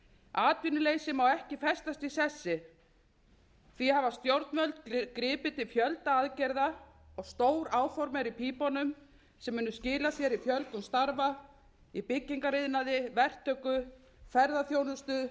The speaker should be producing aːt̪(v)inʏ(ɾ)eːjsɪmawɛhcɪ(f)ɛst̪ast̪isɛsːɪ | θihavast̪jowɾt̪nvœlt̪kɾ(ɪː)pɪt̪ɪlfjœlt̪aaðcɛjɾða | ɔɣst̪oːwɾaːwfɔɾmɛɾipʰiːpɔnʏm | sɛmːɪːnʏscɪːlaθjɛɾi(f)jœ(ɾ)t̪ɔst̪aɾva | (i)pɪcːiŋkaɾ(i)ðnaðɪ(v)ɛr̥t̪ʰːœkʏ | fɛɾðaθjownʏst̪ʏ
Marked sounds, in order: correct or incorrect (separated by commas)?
correct, incorrect, correct, correct, correct, incorrect, correct, incorrect, correct